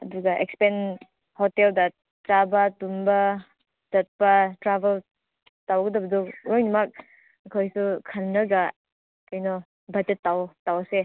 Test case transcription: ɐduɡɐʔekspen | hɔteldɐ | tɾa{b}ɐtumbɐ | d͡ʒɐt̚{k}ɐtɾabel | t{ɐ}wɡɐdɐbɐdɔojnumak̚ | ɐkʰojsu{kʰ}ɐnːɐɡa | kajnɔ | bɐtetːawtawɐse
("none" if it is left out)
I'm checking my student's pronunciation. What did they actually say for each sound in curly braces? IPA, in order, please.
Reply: b, p, a, kʰ

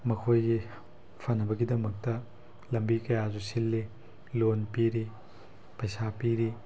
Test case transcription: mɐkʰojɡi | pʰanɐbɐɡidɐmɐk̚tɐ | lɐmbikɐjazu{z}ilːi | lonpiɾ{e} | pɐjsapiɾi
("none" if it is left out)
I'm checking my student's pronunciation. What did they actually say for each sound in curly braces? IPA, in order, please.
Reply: s, i

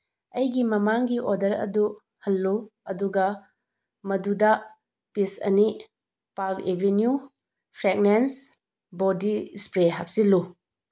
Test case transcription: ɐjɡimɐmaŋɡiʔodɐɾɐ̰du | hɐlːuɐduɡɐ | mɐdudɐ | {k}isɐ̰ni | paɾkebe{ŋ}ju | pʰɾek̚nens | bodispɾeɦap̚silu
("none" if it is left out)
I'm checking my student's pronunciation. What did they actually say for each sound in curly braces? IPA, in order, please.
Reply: p, n

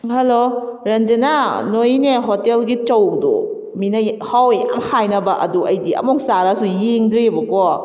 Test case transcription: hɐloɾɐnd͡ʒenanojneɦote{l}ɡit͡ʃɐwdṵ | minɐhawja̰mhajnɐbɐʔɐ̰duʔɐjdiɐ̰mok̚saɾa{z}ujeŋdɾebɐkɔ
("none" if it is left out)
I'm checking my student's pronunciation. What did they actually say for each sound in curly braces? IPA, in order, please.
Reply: l, s

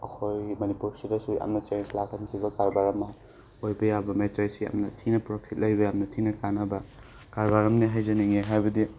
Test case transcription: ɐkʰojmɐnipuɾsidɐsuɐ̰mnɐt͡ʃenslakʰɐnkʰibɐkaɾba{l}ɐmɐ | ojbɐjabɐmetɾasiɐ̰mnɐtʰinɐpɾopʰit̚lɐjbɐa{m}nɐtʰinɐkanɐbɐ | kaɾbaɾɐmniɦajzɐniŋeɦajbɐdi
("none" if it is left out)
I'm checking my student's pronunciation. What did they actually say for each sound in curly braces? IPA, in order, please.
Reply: ɾ, m

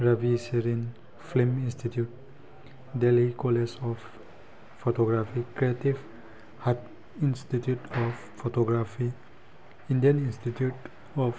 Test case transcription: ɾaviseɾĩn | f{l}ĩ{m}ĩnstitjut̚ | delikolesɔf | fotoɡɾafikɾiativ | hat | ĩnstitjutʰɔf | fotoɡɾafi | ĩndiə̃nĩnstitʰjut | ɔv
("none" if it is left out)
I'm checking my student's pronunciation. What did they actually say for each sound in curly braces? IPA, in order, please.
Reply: l, m

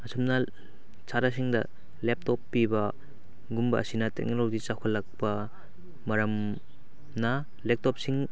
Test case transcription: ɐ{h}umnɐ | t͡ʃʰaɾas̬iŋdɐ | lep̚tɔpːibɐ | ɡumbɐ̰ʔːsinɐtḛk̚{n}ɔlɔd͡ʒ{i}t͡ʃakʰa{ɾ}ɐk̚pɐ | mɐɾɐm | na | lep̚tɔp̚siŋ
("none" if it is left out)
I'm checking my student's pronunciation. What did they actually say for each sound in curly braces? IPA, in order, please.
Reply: s, n, i, l

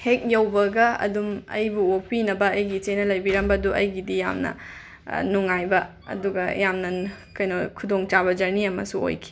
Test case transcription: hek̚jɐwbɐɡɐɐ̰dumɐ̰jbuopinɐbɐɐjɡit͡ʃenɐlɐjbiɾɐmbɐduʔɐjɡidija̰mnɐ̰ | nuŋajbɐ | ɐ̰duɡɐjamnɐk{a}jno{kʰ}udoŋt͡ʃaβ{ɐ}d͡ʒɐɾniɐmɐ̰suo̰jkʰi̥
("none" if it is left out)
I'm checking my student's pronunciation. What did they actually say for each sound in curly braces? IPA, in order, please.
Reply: ɐ, kʰ, ɐ

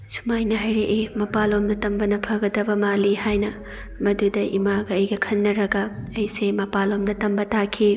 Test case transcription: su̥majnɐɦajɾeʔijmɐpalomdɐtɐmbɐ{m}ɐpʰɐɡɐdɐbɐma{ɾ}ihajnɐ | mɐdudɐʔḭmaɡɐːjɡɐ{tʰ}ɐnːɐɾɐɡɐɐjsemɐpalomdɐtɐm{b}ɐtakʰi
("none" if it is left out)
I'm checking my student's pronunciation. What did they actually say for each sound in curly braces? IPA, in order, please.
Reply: n, l, kʰ, b

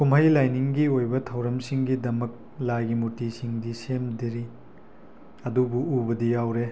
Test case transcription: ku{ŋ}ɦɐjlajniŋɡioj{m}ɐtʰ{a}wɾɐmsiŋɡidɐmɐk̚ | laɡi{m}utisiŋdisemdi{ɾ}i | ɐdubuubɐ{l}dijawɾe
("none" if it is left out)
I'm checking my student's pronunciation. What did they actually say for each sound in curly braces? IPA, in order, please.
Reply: m, b, ɐ, m, ɾ, none

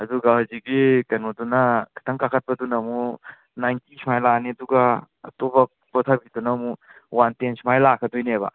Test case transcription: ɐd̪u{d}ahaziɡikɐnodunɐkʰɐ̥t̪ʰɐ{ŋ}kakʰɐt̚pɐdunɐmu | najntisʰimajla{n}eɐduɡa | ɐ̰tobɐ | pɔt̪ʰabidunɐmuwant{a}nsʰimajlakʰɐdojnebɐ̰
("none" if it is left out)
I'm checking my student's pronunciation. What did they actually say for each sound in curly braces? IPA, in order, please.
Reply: ɡ, ŋ, n, e

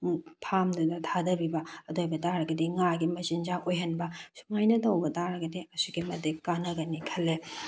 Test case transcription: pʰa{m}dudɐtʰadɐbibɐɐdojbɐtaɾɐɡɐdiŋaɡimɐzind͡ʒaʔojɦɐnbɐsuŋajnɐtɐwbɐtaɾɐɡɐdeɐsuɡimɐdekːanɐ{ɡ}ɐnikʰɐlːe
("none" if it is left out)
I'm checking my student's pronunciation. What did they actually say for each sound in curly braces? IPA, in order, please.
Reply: m, ɡ

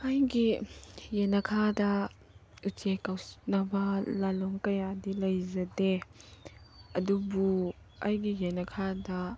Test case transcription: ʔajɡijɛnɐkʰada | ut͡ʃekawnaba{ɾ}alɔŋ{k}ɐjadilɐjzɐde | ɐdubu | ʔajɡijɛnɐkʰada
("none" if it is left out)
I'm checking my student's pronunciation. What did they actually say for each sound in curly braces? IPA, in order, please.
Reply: l, k

